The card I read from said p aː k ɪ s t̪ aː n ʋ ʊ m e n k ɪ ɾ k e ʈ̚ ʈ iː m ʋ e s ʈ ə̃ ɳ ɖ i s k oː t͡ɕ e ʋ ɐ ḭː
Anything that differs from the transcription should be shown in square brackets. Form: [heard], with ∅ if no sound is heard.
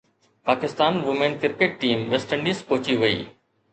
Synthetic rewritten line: p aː k ɪ s t̪ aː n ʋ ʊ m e n k ɪ ɾ k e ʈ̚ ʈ iː m ʋ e s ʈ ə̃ ɳ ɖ i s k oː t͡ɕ [i] ʋ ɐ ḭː